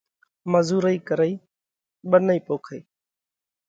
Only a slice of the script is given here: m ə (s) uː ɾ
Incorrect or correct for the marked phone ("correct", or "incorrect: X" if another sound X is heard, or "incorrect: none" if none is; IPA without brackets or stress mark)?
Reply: incorrect: z